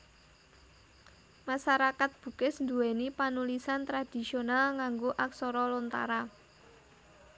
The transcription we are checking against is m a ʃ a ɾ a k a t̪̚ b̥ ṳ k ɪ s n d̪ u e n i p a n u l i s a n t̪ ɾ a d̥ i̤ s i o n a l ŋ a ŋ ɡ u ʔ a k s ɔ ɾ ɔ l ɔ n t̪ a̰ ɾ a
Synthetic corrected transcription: m a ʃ a ɾ a k a t̪̚ b̥ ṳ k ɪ s n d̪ u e n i p a n u l i s a n t̪ ɾ a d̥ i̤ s i o n a l ŋ a ŋ ɡ o ʔ a k s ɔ ɾ ɔ l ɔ n t̪ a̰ ɾ a